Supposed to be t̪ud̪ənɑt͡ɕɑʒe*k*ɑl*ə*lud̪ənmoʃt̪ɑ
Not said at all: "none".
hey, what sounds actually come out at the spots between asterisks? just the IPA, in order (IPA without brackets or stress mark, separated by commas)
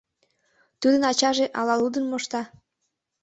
ʔ, ɑ